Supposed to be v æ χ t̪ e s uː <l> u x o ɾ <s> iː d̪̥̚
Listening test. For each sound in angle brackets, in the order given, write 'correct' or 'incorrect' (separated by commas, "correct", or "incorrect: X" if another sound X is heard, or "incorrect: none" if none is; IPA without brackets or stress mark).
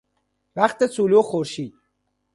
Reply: correct, incorrect: ʃ